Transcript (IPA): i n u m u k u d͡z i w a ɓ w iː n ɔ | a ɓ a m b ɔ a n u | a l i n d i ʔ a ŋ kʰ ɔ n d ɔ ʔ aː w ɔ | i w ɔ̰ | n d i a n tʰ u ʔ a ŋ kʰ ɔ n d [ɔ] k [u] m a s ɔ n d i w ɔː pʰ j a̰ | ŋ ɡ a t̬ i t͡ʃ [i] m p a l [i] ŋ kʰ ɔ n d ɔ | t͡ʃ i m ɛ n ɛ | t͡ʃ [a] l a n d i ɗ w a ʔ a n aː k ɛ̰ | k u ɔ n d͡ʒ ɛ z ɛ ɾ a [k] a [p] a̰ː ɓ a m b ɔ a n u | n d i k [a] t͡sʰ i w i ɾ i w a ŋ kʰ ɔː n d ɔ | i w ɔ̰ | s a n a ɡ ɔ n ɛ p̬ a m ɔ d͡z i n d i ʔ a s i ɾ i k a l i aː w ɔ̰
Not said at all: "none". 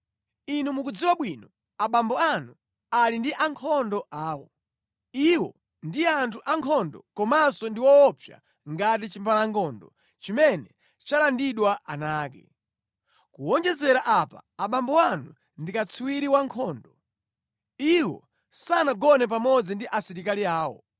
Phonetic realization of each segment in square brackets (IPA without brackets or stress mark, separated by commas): ɔ, ɔ, i, a, a, ʔ, p, a